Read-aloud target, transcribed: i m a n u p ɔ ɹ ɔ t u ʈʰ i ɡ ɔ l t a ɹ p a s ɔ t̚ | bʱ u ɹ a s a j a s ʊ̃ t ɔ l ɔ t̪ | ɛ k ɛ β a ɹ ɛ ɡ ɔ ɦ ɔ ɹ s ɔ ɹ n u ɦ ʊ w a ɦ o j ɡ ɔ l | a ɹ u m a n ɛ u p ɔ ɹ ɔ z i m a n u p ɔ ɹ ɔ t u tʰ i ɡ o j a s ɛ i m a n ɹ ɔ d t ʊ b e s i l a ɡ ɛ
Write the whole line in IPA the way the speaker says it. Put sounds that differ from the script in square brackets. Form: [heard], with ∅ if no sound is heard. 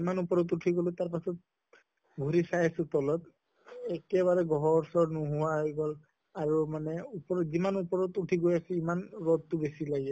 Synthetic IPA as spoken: i m a n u p ɔ ɹ ɔ t u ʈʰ i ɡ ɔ l t a ɹ p a s ɔ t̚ | bʱ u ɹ [i] s a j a s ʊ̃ t ɔ l ɔ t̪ | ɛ k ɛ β a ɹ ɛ ɡ ɔ ɦ ɔ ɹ s ɔ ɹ n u ɦ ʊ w a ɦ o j ɡ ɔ l | a ɹ u m a n ɛ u p ɔ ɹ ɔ z i m a n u p ɔ ɹ ɔ t u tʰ i ɡ o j a s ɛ i m a n ɹ ɔ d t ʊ b e s i l a ɡ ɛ

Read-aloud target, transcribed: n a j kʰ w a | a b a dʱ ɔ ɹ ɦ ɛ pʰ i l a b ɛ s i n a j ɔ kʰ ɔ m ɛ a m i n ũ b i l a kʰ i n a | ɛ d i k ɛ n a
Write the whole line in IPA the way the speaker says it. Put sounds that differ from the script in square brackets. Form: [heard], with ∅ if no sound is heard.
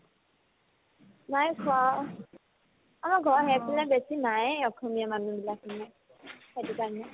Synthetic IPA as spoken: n a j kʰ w a | a [m] a [ɡʱ] ɔ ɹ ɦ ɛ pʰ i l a b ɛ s i n a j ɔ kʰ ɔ m [i] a m [a] n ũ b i l a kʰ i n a | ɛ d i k [a] n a

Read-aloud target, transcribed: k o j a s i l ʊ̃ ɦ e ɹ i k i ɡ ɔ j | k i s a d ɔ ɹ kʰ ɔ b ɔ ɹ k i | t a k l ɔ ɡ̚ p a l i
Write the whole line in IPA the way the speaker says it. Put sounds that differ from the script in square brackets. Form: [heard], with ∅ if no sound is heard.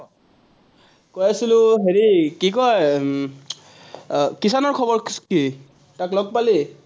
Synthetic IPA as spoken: k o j a s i l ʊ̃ ɦ e ɹ i k i [k] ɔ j | k i s a [n] ɔ ɹ kʰ ɔ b ɔ ɹ k i | t a k l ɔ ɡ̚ p a l i

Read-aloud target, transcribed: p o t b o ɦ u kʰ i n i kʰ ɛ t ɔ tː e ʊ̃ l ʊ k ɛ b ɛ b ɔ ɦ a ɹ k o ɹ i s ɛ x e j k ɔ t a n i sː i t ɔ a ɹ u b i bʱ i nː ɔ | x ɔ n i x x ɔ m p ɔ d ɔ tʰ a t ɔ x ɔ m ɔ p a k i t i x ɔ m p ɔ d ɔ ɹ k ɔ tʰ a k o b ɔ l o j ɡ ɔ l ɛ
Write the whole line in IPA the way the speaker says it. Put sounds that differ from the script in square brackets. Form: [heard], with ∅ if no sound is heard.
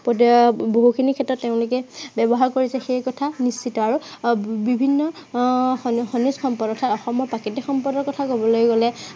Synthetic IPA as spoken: p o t b o ɦ u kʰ i n i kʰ ɛ t ɔ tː e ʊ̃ l ʊ k ɛ b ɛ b ɔ ɦ a ɹ k o ɹ i s ɛ x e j k ɔ [tʰ] a n i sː i t ɔ a ɹ u b i bʱ i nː ɔ | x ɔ n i [s] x ɔ m p ɔ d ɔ tʰ a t ɔ x ɔ m ɔ p a k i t i x ɔ m p ɔ d ɔ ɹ k ɔ tʰ a k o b ɔ l o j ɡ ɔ l ɛ

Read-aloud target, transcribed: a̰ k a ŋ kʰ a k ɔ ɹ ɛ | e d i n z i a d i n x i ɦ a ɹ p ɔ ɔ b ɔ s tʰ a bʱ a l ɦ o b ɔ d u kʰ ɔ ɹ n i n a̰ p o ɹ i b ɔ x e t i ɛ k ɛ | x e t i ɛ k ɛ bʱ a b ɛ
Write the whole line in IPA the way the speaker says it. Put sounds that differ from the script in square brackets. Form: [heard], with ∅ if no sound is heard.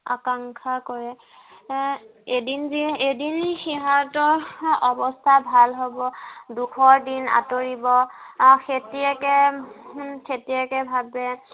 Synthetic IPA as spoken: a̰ k a ŋ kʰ a k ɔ ɹ ɛ | e d i n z i [e] d i n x i ɦ a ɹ [t] ɔ ɔ b ɔ s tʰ a bʱ a l ɦ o b ɔ d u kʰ ɔ ɹ [d] i n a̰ [t] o ɹ i b ɔ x e t i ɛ k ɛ | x e t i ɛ k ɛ bʱ a b ɛ

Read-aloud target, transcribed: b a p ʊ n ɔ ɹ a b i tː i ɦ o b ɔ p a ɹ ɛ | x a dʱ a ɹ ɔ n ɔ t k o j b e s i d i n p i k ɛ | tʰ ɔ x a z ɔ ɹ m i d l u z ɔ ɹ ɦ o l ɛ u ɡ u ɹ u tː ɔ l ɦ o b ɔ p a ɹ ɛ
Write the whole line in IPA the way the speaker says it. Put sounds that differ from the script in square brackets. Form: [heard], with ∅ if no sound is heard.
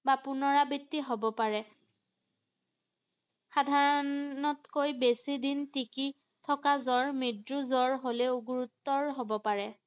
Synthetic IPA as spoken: b a p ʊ n ɔ ɹ a b i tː i ɦ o b ɔ p a ɹ ɛ | x a dʱ a ɹ ɔ n ɔ t k o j b e s i d i n [t] i k [i] | tʰ ɔ [k] a z ɔ ɹ m i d [ɹ] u z ɔ ɹ ɦ o l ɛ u ɡ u ɹ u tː ɔ [ɹ] ɦ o b ɔ p a ɹ ɛ

